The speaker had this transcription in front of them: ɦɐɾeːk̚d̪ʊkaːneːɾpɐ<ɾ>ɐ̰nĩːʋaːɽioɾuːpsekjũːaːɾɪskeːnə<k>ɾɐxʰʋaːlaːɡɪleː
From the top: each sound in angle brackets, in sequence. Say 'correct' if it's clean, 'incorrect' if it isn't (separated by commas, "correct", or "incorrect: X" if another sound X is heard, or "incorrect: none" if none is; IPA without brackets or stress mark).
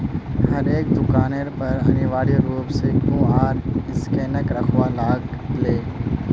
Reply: correct, correct